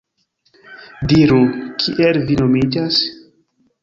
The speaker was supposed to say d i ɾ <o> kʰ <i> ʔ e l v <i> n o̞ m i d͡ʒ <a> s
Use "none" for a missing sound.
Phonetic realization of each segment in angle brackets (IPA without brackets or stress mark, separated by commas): u, i, i, a